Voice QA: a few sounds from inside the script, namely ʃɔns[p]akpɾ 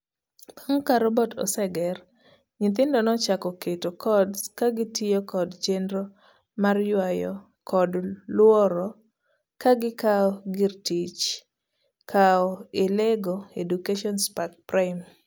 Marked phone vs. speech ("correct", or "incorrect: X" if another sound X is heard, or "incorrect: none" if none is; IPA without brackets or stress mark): correct